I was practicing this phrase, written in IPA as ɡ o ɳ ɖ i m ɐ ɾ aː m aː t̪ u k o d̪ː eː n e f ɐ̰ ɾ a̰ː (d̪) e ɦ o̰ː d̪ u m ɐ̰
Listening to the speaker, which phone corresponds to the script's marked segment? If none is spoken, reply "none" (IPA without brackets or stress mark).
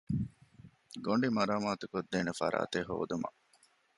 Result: t̪